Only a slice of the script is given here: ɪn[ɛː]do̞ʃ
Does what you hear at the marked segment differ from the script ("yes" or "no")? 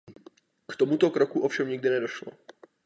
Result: yes